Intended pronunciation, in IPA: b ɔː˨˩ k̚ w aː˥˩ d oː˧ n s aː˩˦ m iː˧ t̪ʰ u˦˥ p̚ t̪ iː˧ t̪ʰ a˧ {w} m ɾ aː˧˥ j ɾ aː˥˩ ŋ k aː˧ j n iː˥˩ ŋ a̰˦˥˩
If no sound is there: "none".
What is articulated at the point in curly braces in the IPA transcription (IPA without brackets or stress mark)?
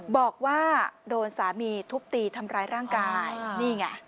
none